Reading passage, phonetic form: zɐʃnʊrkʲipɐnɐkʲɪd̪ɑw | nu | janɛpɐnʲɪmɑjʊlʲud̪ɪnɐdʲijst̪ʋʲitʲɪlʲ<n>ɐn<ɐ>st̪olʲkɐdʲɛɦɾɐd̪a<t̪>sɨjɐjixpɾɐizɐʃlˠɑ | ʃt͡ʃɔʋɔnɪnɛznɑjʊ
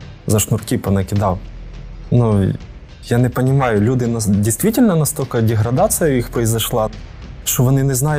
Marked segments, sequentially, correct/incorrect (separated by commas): correct, correct, correct